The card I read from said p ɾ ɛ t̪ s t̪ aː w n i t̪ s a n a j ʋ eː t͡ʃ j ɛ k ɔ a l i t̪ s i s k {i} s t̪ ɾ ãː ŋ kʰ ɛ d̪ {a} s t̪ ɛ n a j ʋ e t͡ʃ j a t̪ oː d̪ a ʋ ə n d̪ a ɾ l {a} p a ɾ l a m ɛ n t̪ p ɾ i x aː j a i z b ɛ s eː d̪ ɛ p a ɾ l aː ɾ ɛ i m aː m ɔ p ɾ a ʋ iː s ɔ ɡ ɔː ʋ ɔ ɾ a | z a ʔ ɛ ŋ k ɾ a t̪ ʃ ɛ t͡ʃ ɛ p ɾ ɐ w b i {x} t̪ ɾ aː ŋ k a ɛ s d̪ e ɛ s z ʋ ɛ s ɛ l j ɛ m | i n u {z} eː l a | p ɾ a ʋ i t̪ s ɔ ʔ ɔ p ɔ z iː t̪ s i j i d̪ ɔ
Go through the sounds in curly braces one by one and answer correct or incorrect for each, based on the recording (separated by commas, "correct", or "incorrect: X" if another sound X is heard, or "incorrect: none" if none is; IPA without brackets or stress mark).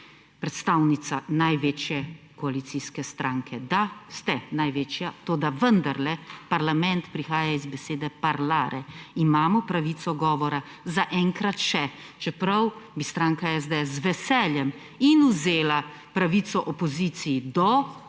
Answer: incorrect: ɛ, correct, incorrect: ɛ, incorrect: s, correct